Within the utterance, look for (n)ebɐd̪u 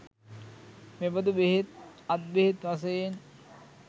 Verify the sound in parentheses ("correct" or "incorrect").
incorrect